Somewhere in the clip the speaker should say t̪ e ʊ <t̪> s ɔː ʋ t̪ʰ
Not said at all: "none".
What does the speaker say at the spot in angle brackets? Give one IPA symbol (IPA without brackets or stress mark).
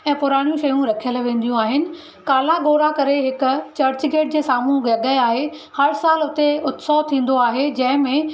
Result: t̪